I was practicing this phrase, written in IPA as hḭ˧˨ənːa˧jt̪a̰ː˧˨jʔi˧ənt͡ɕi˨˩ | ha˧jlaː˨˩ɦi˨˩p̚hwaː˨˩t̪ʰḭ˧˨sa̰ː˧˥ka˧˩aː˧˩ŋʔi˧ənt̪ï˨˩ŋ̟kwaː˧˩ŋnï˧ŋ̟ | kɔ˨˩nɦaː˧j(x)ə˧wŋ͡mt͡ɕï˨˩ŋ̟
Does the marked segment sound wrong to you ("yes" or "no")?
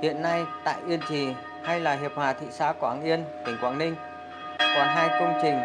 yes